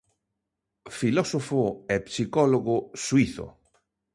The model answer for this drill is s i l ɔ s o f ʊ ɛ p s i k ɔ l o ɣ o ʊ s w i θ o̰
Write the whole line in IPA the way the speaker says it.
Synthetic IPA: f i l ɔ s o f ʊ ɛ p s i k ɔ l o ɣ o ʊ s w i θ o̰